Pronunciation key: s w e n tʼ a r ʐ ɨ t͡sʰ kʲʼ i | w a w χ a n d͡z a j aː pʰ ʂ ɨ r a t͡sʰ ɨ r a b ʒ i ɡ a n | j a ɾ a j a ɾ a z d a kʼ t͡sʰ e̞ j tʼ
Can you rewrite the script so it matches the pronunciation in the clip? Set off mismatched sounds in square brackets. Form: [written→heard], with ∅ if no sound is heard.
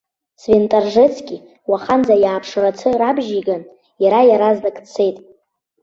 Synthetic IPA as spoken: s [w→v] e n tʼ a r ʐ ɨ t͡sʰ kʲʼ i | w a [w→∅] χ a n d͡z a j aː pʰ ʂ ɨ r a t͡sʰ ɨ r a b ʒ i ɡ a n | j a ɾ a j a ɾ a z d a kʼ t͡sʰ e̞ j tʼ